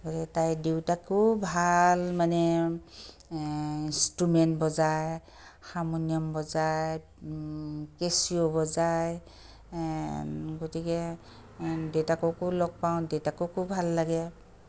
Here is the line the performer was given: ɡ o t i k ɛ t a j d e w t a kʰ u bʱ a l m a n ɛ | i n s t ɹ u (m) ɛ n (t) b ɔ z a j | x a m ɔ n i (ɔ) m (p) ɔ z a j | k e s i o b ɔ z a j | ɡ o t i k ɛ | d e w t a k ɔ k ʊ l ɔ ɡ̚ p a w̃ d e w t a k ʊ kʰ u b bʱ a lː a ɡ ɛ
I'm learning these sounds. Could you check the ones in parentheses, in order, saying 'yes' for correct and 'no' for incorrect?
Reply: yes, yes, yes, no

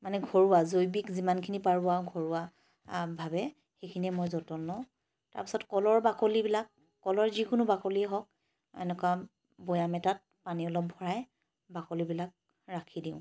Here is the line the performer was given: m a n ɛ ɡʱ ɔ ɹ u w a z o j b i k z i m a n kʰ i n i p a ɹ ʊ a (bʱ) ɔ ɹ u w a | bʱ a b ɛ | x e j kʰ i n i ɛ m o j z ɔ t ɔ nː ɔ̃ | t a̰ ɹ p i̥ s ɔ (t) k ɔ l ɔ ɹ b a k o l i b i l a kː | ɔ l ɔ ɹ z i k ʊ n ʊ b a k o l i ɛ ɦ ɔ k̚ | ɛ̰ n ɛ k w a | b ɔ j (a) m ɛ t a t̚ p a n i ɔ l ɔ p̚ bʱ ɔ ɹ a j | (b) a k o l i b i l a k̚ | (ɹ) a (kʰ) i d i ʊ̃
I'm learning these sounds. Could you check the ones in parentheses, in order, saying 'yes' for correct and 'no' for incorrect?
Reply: no, yes, yes, yes, yes, yes

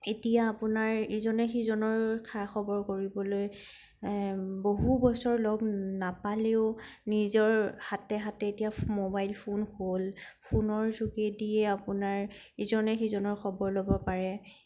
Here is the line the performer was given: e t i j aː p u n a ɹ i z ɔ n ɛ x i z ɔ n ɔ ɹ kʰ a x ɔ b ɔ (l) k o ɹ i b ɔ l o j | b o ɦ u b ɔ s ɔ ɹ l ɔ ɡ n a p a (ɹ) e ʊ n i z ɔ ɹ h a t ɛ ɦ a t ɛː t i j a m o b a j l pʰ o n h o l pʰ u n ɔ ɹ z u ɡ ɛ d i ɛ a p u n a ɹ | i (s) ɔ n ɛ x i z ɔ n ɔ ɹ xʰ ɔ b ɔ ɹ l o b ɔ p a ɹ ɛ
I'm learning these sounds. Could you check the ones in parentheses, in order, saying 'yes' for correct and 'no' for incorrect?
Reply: no, no, no

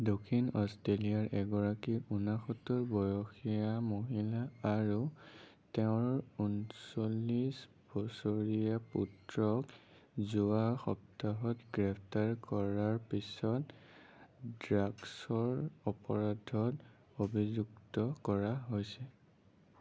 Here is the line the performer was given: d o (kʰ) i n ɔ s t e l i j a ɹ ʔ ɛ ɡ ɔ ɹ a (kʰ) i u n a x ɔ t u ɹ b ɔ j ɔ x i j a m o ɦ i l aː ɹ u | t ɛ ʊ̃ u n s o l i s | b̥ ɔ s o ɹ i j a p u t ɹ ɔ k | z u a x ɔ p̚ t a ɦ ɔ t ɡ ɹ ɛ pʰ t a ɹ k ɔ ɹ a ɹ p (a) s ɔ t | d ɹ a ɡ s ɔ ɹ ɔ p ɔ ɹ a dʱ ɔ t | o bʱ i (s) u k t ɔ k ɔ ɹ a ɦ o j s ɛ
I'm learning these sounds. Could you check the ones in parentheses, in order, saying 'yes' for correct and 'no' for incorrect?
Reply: yes, no, no, no

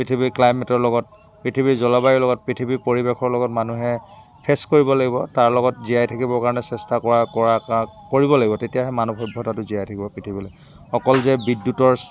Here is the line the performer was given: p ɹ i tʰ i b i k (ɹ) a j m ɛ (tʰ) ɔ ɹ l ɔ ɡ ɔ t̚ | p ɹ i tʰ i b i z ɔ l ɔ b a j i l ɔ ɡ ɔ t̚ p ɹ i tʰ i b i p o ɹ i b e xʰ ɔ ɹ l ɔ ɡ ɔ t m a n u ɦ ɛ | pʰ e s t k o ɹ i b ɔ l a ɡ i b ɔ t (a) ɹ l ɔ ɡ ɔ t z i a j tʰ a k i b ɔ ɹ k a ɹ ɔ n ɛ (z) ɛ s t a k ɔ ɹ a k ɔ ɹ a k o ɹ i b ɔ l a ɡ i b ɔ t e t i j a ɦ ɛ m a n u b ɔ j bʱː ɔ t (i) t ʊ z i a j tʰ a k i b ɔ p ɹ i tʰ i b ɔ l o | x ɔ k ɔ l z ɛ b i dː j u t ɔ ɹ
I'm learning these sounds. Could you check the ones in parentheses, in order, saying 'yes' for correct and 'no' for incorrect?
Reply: no, no, yes, no, no

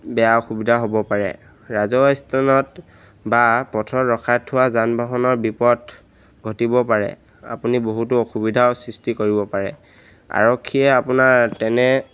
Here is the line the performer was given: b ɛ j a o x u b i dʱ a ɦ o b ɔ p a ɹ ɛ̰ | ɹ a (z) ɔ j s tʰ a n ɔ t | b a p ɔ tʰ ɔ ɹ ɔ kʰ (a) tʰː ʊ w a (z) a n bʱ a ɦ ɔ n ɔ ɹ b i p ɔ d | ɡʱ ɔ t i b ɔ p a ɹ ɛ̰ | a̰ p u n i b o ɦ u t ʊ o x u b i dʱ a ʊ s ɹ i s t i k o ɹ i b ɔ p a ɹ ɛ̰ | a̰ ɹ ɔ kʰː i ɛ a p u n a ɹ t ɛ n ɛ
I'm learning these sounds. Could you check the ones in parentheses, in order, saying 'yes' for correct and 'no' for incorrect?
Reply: yes, yes, yes

